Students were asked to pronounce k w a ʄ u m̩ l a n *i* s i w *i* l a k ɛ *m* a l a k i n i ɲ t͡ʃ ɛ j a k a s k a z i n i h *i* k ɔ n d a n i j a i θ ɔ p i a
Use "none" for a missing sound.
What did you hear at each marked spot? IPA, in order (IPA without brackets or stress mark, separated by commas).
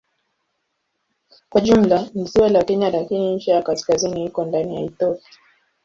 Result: i, a, ɲ, i